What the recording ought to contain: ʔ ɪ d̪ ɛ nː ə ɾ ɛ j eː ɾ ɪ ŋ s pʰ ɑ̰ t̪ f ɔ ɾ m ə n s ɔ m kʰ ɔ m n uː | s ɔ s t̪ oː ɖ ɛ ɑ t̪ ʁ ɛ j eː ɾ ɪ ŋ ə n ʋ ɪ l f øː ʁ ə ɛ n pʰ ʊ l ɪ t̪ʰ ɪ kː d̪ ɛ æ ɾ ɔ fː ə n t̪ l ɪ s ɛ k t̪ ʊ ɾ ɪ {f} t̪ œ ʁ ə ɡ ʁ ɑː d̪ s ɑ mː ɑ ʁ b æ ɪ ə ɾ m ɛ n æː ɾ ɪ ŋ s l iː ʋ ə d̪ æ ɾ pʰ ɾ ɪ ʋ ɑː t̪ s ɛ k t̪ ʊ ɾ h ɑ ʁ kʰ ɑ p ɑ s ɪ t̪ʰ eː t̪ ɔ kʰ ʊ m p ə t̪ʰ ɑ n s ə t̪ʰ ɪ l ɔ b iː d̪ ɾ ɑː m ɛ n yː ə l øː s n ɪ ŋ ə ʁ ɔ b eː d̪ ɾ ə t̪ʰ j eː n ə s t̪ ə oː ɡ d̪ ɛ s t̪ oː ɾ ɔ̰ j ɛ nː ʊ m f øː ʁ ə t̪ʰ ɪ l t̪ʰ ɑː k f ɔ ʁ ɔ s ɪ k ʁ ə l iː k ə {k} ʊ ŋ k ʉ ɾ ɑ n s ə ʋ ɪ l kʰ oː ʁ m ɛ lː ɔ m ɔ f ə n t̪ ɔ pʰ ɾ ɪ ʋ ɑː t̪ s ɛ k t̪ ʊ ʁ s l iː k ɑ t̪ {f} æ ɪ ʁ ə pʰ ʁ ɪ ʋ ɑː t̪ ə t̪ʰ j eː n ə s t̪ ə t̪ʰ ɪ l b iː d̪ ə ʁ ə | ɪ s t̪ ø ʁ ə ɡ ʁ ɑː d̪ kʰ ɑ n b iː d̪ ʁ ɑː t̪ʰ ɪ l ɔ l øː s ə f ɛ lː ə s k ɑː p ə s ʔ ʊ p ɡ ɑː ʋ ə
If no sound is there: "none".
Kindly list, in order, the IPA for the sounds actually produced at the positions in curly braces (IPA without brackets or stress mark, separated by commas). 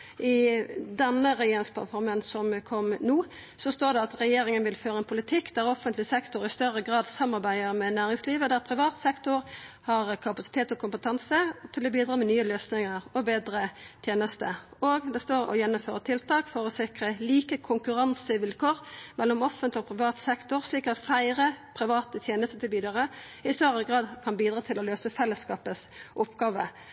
s, kʰ, f